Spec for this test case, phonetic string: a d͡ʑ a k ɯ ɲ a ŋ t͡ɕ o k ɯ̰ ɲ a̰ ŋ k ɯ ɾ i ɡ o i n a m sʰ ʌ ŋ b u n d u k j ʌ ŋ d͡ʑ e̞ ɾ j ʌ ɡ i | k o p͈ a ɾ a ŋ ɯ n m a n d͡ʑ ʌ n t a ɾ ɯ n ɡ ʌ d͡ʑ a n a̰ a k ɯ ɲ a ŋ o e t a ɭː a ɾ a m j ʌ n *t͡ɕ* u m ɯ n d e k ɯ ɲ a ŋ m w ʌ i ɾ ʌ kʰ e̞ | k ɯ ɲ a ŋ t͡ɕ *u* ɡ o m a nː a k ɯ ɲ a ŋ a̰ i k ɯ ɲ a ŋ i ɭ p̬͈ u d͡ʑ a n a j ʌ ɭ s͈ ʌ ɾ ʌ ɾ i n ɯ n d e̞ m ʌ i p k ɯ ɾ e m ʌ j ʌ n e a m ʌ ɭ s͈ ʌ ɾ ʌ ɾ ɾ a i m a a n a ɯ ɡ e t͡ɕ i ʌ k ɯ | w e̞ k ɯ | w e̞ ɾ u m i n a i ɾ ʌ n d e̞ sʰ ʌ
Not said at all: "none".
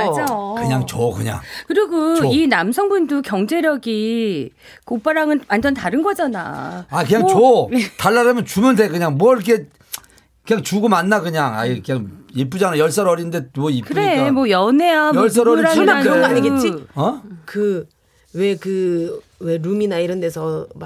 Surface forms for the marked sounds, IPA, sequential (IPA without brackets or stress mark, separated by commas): t͡ɕ, u